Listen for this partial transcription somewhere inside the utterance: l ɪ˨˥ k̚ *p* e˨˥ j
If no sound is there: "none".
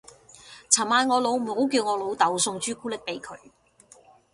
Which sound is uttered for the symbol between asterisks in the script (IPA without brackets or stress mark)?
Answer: p